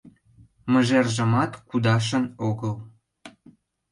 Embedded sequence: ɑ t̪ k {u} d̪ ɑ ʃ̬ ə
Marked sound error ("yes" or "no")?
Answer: no